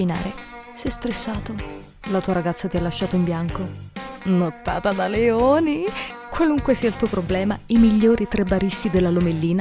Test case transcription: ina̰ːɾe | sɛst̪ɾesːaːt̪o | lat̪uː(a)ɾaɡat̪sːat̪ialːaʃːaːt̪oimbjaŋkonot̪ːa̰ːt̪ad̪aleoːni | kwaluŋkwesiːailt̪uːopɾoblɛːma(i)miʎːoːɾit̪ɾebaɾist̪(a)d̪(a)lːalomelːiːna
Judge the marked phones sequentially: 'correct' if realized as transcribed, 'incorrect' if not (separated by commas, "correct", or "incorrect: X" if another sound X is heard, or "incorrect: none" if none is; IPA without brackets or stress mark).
correct, correct, incorrect: i, incorrect: e